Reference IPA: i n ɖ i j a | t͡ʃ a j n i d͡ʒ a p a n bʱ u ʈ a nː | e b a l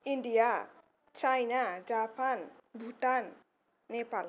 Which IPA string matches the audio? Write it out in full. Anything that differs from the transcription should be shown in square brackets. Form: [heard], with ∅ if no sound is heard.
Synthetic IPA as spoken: i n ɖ i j a | t͡ʃ a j n [a] d͡ʒ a p a n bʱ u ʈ a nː | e [p] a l